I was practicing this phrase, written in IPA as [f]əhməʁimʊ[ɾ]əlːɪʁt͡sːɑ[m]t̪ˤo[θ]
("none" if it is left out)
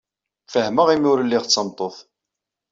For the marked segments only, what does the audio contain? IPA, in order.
f, ɾ, m, θ

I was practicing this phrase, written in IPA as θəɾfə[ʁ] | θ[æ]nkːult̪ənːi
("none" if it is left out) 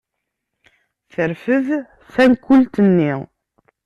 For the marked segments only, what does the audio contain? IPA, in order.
ð, æ

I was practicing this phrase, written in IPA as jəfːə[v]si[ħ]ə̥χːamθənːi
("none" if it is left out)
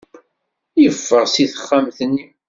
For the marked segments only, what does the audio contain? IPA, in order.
ʁ, θ

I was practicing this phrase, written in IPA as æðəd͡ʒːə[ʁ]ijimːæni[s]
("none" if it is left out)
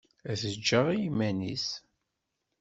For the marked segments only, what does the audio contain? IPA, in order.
ʁ, s

